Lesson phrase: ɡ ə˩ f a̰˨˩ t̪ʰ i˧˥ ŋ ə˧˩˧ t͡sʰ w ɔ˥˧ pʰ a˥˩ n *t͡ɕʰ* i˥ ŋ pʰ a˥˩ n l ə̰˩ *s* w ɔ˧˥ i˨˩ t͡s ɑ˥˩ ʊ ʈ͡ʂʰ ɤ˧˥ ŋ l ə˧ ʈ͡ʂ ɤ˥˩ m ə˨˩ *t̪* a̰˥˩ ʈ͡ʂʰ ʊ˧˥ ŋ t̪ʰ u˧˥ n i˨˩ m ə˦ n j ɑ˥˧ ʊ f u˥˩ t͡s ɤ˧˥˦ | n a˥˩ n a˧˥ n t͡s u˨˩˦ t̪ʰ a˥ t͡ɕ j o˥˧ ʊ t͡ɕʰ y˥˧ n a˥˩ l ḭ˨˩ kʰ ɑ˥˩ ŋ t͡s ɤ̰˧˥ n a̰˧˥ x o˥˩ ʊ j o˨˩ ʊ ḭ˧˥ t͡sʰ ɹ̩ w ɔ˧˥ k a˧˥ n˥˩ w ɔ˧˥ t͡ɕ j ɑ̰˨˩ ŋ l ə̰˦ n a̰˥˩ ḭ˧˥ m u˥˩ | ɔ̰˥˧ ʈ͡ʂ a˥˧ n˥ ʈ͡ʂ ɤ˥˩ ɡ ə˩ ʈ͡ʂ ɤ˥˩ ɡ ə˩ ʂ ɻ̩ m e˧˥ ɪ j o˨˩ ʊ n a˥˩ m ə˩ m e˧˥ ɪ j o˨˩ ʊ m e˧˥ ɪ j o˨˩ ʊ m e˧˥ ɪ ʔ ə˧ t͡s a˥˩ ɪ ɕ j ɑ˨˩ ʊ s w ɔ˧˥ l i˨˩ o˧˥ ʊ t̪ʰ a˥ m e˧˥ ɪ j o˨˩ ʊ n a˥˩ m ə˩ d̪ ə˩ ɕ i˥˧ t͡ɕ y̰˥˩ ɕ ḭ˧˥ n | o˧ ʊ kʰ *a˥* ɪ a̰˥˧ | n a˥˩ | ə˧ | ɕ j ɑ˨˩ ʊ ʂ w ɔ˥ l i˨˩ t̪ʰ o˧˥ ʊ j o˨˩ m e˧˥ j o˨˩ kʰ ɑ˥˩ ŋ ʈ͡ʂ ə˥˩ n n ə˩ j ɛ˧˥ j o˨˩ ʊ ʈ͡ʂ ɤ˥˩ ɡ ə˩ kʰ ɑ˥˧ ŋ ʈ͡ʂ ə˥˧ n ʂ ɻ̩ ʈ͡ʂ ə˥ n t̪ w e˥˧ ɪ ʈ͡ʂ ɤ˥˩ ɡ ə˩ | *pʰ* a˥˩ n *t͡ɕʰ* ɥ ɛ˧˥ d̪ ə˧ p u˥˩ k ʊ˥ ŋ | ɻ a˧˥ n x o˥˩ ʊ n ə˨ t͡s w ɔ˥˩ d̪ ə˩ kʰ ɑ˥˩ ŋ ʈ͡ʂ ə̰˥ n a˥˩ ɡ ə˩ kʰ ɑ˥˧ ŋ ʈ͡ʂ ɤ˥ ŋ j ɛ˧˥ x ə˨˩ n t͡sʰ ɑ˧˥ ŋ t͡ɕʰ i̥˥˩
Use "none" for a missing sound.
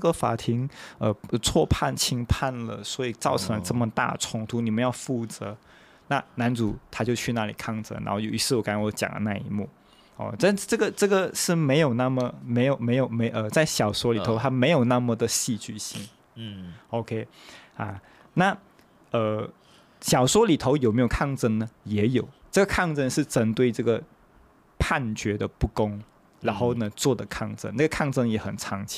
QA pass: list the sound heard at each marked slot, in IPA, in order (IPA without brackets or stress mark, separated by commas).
t͡ɕʰ, s, t̪, e˥, pʰ, t͡ɕ